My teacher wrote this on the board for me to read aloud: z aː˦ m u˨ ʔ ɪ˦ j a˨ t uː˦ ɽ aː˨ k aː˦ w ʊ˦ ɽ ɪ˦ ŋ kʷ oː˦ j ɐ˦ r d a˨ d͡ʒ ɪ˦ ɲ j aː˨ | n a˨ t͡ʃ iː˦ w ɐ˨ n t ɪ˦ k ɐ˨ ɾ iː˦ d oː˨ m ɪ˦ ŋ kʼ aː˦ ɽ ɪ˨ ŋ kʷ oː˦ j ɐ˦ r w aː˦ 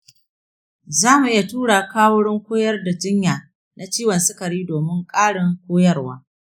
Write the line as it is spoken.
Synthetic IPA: z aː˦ m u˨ ʔ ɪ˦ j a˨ t uː˦ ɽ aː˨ k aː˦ w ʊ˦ ɽ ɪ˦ ŋ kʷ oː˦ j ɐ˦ r d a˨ d͡ʒ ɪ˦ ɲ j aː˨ | n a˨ t͡ʃ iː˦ w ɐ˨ n s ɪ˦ k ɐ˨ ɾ iː˦ d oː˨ m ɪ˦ ŋ kʼ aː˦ ɽ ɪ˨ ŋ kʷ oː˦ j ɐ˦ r w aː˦